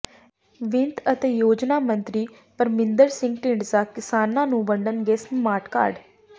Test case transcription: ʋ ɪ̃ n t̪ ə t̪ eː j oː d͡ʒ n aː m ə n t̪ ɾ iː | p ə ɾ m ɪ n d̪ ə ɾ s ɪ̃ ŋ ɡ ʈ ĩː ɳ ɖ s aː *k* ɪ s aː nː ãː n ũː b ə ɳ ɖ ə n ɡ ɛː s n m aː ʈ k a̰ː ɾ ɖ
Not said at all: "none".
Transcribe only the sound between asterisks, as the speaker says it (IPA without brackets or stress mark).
k